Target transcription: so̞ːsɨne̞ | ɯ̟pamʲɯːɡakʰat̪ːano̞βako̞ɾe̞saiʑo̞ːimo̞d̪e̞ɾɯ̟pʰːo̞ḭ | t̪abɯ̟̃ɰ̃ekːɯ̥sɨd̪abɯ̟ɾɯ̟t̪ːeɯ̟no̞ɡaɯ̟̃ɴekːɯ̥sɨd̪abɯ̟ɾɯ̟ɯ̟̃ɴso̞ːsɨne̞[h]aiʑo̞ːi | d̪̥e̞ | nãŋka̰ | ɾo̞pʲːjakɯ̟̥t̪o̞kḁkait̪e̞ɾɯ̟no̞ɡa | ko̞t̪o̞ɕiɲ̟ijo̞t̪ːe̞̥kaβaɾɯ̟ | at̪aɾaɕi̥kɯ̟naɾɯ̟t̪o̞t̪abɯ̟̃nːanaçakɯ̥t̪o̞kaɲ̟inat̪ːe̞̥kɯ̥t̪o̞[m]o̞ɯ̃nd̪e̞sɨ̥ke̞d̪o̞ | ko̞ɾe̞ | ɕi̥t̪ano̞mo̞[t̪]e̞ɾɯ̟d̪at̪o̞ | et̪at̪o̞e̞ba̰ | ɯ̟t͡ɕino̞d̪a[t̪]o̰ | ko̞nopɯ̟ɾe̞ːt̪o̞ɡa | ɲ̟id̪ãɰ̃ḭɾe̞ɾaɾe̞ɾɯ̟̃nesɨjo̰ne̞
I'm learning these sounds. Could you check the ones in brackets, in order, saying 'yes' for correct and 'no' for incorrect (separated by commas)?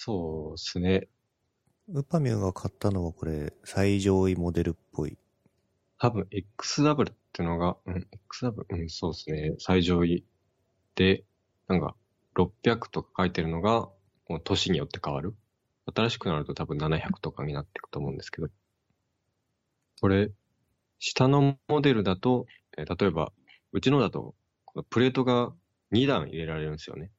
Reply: no, yes, no, yes